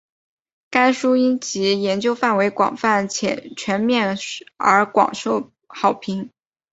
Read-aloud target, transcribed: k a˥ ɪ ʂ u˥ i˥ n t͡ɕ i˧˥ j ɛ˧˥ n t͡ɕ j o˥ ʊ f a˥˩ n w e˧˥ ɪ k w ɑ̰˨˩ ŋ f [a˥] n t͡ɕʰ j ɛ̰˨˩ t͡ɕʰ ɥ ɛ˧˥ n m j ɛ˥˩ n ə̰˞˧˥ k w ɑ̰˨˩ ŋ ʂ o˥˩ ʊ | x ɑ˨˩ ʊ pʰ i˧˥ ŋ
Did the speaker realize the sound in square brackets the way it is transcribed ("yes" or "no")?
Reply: no